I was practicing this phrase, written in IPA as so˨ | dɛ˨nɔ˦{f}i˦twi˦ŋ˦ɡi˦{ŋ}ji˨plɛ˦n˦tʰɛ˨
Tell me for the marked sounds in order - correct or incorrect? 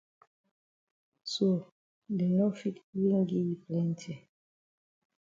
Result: correct, incorrect: none

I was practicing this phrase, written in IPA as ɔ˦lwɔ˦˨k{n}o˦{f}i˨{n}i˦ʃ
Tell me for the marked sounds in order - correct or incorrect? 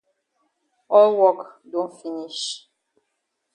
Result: incorrect: d, correct, correct

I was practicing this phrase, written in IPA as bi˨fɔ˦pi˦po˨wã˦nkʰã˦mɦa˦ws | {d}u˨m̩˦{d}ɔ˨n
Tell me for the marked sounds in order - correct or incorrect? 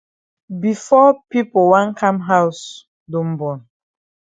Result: correct, incorrect: b

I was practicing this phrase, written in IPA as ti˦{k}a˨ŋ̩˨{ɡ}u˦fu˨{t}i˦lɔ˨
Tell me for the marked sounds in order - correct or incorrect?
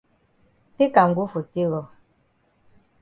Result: correct, correct, correct

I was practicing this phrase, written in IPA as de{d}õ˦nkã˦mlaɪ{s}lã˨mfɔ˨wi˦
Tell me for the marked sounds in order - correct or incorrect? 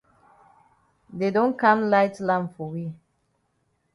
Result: correct, incorrect: t

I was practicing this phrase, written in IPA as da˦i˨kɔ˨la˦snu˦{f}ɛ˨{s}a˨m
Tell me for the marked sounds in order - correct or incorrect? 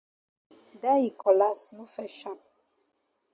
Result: correct, incorrect: ʃ

